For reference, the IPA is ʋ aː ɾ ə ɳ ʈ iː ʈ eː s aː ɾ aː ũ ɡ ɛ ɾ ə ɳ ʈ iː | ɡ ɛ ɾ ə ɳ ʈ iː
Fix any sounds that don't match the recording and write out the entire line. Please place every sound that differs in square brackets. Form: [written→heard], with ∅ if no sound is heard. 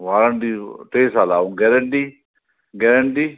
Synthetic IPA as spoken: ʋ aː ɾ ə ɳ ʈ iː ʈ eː s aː [ɾ→l] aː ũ ɡ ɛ ɾ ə ɳ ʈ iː | ɡ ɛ ɾ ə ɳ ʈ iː